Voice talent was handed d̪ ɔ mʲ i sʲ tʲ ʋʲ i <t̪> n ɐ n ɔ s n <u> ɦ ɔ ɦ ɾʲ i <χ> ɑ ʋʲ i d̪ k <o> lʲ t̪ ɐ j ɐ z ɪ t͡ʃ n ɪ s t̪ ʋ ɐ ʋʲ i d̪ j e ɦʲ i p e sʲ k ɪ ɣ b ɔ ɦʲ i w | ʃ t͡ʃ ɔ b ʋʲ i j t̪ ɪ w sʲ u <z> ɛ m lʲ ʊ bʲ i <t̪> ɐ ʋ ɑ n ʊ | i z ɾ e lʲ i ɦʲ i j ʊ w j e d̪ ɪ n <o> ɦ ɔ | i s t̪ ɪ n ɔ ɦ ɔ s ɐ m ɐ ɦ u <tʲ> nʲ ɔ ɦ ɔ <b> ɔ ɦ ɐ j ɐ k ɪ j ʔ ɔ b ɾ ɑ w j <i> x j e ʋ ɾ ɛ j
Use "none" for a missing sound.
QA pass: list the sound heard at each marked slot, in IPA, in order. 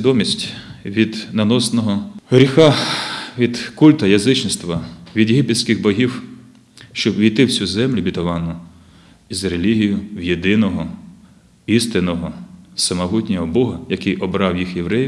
d̪, ɔ, x, u, z, t̪, ɔ, tʲ, b, i

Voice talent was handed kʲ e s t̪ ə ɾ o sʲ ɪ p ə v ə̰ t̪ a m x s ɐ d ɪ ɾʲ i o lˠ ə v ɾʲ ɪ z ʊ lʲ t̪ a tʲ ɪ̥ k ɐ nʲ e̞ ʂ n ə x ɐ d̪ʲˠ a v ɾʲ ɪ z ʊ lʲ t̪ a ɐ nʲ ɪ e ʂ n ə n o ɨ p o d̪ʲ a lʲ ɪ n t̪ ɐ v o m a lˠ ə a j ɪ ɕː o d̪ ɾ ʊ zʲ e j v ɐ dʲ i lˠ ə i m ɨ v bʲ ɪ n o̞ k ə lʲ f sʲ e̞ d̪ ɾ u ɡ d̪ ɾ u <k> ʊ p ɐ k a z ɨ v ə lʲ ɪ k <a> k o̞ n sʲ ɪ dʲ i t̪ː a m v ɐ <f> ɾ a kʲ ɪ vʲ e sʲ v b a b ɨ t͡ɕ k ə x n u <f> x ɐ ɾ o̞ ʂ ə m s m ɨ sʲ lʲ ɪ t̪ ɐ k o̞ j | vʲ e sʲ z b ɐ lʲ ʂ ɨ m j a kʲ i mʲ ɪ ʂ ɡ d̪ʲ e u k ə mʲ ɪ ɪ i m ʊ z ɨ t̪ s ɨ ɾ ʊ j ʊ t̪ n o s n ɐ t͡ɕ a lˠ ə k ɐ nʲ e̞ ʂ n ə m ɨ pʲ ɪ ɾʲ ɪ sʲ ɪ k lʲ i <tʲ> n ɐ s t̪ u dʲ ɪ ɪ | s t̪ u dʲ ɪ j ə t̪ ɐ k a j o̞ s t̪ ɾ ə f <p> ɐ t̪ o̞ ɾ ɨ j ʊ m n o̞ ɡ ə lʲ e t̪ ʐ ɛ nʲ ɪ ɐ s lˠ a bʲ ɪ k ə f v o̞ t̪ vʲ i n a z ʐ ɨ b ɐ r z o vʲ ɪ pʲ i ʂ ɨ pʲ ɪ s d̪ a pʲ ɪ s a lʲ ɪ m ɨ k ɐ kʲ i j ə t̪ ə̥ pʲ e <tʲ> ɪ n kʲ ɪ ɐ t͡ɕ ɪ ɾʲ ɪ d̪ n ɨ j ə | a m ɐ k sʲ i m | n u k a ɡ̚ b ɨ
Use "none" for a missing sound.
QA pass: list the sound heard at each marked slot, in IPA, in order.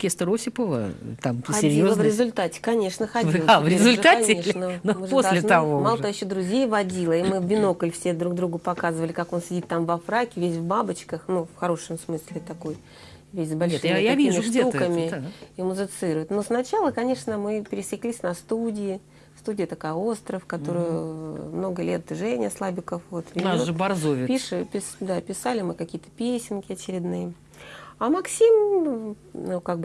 ɡ, a, f, f, sʲ, k, sʲ

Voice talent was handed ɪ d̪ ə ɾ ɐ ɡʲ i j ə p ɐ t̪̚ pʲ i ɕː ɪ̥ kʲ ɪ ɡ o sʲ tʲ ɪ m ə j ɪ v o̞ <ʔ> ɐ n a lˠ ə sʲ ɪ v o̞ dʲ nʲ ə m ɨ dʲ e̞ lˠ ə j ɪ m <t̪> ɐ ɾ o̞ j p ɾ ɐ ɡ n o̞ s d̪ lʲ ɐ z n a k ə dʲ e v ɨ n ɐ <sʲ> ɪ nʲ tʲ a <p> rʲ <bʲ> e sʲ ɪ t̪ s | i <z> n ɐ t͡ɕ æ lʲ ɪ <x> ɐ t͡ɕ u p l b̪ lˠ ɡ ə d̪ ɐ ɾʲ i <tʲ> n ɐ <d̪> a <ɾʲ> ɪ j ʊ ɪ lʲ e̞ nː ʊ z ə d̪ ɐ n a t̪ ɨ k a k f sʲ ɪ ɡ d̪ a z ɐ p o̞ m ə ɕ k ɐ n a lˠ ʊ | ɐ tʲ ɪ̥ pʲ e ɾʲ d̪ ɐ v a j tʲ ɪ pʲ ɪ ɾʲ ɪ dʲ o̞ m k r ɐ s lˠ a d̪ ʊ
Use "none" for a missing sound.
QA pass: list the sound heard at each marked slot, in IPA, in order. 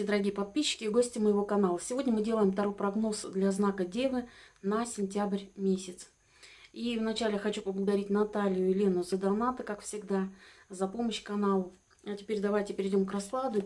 k, t̪, sʲ, b, mʲ, v, x, tʲ, t̪, lʲ

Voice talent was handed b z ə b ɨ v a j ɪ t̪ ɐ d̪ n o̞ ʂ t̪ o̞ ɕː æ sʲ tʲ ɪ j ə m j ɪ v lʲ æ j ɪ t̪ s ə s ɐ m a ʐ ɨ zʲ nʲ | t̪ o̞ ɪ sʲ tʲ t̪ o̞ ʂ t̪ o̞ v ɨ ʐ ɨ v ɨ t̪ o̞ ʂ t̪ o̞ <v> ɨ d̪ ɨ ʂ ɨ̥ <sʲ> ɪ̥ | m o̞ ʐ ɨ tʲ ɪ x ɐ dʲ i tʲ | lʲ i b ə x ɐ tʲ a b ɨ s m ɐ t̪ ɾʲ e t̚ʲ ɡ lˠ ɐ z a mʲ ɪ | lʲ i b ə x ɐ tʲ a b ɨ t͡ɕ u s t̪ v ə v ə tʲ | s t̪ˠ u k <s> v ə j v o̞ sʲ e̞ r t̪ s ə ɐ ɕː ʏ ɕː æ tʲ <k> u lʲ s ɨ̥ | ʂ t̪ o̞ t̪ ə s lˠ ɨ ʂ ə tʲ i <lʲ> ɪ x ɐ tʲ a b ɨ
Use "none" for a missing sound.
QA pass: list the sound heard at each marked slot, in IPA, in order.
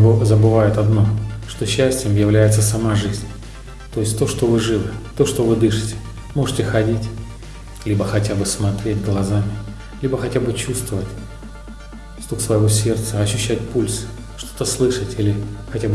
v, tʲ, s, p, lʲ

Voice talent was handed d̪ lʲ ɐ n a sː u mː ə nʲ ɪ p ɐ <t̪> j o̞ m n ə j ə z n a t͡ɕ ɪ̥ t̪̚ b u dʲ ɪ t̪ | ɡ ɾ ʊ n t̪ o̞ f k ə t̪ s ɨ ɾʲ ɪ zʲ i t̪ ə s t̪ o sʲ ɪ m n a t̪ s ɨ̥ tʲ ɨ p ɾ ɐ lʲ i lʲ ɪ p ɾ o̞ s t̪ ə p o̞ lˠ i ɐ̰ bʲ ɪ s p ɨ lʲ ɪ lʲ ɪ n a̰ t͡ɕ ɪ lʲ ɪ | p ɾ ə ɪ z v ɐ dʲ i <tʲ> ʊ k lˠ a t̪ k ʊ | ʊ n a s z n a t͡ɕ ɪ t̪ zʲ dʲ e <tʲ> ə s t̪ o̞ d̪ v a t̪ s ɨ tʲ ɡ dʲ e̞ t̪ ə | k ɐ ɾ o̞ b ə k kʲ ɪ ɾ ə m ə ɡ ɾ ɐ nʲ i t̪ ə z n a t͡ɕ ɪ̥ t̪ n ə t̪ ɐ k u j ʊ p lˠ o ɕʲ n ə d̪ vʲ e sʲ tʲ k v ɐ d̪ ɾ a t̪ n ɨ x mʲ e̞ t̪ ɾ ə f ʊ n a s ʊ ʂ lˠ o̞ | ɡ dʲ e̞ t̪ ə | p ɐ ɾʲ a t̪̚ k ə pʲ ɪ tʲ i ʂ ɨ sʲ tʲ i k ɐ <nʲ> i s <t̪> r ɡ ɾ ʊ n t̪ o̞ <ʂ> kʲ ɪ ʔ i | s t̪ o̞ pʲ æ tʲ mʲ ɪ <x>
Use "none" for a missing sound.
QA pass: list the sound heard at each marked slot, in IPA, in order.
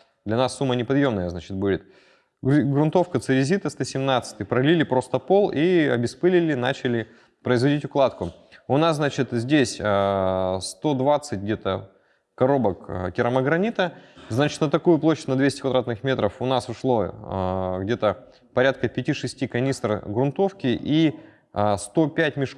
d̪, tʲ, sʲ, nʲ, t̪, f, ʂ

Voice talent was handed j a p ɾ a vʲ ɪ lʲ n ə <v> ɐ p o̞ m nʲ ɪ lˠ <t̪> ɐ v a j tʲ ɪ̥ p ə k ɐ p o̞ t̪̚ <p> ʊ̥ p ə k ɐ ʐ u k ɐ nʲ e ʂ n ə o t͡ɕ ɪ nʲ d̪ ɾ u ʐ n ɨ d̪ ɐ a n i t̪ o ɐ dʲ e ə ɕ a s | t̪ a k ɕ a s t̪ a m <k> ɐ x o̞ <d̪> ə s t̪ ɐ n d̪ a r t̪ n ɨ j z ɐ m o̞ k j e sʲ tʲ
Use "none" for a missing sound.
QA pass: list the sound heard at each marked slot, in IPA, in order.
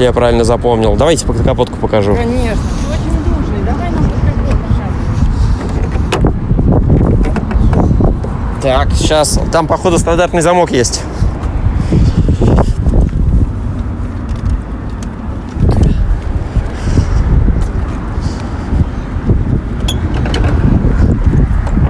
z, d̪, k, p, d̪

